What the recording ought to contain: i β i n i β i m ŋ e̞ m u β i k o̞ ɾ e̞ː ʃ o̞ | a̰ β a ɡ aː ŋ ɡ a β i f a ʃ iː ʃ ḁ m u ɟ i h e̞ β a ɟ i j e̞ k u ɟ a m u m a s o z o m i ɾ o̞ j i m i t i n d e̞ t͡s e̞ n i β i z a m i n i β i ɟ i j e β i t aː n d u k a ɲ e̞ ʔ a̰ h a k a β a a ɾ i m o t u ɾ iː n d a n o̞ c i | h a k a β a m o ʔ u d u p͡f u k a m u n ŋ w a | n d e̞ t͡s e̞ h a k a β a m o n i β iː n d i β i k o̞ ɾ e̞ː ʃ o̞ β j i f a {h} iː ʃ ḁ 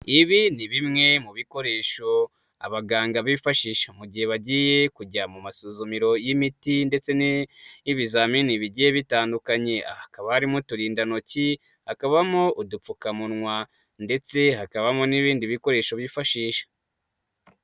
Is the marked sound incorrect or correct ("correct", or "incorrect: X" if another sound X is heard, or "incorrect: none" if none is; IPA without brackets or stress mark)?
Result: incorrect: ʃ